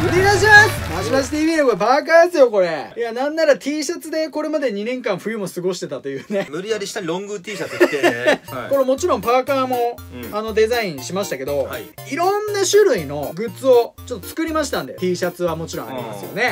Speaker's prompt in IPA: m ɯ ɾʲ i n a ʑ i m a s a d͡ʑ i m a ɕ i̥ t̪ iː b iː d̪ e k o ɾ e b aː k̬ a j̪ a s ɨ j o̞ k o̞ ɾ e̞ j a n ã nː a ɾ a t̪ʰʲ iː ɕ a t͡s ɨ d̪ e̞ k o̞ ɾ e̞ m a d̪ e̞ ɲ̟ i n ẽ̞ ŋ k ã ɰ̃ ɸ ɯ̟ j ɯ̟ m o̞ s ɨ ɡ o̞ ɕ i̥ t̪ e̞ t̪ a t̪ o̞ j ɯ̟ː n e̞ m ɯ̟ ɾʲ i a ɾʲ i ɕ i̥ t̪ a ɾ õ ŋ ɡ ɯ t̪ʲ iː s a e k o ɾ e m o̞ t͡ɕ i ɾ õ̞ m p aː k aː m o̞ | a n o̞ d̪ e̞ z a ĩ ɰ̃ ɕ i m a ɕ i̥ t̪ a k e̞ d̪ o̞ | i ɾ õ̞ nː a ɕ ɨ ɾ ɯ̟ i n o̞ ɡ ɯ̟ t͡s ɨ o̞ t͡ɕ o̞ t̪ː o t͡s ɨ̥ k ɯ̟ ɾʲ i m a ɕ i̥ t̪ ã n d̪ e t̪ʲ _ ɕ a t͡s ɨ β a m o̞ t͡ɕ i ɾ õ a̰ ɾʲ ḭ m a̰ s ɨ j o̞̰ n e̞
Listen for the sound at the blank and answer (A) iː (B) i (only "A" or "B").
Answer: A